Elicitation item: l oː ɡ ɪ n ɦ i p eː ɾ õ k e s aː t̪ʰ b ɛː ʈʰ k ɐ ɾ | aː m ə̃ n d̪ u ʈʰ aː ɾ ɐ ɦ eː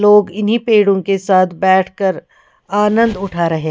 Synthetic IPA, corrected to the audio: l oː ɡ ɪ n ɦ i p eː ɽ õ k e s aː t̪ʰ b ɛː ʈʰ k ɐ ɾ | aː n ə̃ n d̪ ʊ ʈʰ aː ɾ ɐ ɦ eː